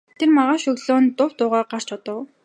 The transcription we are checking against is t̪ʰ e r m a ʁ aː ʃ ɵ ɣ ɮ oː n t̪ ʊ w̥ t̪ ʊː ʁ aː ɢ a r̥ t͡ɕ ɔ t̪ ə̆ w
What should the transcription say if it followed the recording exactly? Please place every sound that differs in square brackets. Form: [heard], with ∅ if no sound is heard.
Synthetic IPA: t̪ʰ e r m a ʁ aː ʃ ɵ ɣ ɮ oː n t̪ ʊ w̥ t̪ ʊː ʁ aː ɢ a r̥ t͡ɕ ɔ t̪ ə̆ w